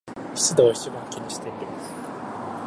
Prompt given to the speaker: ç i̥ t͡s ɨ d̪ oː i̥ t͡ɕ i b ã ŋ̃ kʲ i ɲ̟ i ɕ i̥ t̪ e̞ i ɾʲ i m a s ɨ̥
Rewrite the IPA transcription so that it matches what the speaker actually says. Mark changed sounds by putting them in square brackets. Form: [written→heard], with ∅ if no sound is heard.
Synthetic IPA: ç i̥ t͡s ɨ d̪ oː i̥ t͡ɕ i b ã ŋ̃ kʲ i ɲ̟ i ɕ i̥ t̪ e̞ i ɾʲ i m a s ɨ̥